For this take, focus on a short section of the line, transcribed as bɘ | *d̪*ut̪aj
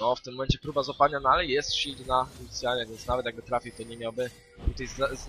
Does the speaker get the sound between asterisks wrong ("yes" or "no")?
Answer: yes